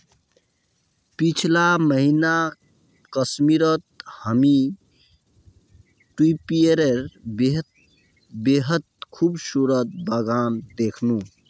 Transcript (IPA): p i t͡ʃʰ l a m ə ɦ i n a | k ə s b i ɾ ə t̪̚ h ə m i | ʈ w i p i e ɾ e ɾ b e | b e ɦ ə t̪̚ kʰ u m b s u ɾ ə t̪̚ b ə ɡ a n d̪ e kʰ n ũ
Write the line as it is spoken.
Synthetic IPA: p i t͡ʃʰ l a m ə ɦ i n a | k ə s m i ɾ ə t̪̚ h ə m i | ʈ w i p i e ɾ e ɾ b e | b e ɦ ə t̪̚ kʰ u b s u ɾ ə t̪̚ b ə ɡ a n d̪ e kʰ n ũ